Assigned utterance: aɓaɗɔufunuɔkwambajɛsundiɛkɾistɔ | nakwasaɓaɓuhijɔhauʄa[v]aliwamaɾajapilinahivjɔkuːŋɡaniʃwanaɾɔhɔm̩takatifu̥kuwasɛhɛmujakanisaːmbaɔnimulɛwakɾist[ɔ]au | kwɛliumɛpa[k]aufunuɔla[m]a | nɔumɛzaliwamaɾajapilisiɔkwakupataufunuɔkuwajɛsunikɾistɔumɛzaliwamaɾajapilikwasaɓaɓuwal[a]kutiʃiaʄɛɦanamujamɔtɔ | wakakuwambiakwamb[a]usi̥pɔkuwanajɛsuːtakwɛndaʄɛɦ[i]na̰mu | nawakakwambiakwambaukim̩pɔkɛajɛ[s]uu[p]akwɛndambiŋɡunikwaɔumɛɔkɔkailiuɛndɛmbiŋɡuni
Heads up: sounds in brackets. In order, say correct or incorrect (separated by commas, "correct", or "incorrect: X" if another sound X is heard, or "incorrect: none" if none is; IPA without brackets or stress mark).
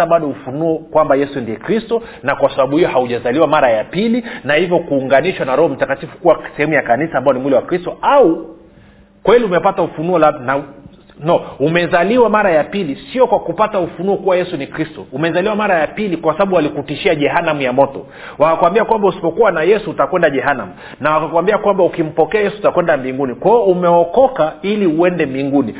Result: incorrect: z, correct, incorrect: t, incorrect: n, incorrect: i, correct, incorrect: a, correct, incorrect: t